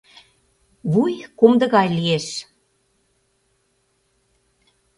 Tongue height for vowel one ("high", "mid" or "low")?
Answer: high